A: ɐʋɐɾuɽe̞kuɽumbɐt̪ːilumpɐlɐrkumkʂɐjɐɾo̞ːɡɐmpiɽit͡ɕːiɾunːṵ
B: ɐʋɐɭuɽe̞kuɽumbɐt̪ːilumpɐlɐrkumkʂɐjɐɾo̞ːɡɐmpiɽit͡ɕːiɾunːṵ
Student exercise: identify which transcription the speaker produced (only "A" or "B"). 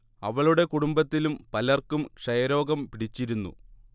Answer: B